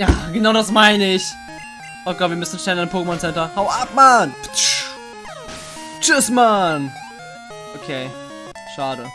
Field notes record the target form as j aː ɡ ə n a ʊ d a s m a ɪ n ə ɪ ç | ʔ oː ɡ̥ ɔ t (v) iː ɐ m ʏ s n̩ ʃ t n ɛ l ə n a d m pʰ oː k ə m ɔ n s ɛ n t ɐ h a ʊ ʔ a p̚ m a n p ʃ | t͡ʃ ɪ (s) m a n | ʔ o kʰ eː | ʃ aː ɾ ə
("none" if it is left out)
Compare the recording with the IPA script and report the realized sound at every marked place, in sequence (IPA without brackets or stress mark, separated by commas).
v, s